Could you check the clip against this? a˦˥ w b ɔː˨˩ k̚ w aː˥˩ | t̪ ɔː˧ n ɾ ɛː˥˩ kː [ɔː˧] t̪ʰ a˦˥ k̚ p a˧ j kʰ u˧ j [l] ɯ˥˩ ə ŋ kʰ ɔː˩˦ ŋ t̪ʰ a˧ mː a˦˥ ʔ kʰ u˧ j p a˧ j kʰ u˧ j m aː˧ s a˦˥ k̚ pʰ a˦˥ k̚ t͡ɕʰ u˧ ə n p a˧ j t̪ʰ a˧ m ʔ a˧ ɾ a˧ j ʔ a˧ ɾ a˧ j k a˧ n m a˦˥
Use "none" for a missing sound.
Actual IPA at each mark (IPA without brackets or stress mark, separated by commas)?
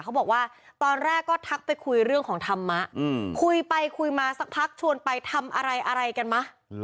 ɔː˥˩, ɾ